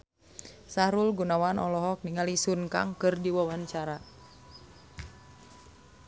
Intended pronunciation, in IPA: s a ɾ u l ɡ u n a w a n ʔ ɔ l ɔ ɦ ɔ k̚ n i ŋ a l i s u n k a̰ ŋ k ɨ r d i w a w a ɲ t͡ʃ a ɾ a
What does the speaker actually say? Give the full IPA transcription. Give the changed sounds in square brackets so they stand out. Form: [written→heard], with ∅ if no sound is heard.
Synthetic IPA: s a ɾ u l ɡ u n a w a n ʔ ɔ l ɔ ɦ ɔ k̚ n i ŋ a l i s u n k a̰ ŋ k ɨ r d i w a w a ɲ t͡ʃ a ɾ a